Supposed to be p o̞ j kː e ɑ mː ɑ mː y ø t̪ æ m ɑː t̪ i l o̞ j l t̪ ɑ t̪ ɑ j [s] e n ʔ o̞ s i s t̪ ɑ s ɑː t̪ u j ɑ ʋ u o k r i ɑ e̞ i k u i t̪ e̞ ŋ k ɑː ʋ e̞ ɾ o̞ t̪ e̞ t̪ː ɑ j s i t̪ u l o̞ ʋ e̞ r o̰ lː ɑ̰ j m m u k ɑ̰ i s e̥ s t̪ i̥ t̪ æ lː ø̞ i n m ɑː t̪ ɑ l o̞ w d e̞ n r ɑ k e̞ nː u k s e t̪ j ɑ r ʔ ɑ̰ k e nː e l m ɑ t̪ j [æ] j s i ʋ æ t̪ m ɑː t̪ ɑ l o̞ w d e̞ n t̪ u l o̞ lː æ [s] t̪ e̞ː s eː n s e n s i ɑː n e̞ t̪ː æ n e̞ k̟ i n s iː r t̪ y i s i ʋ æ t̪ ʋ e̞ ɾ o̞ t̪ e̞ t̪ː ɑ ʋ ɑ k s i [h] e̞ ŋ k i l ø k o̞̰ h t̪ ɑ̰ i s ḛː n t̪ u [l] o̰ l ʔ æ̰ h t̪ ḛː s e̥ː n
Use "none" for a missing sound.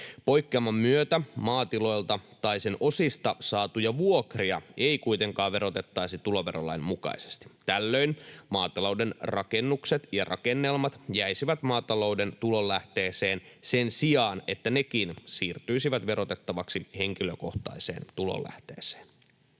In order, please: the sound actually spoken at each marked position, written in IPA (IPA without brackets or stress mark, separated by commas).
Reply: s, æ, h, h, l